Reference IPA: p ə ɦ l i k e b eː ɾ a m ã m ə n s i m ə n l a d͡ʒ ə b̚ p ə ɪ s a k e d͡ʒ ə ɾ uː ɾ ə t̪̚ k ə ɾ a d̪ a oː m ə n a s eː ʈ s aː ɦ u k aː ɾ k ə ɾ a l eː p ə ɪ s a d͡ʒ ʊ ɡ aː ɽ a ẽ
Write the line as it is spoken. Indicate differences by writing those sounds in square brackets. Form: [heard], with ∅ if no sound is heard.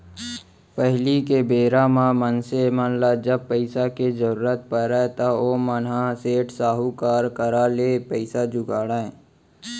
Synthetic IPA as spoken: p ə ɦ l i k e b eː ɾ a m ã m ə n s [e] m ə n l a d͡ʒ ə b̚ p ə ɪ s a k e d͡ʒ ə ɾ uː ɾ ə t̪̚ [p] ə ɾ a [t̪] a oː m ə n a s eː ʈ s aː ɦ u k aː ɾ k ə ɾ a l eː p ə ɪ s a d͡ʒ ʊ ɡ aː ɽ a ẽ